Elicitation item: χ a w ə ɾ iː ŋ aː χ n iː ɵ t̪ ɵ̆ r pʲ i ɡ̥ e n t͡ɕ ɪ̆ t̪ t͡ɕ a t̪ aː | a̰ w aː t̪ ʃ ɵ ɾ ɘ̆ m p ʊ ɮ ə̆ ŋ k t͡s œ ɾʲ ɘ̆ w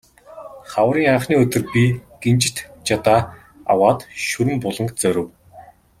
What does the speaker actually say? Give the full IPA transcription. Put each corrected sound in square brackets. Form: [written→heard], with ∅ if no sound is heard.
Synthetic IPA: χ a w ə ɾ iː ŋ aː χ n iː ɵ t̪ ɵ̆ r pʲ i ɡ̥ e n t͡ɕ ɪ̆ t̪ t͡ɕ a t̪ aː | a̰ w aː t̪ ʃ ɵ ɾ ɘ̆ m p ʊ ɮ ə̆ ŋ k t͡s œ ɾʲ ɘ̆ w